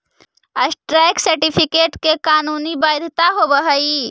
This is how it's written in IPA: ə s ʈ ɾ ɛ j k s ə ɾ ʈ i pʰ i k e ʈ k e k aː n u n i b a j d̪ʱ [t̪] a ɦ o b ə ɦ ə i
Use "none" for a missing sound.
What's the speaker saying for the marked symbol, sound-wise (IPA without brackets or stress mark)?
t̪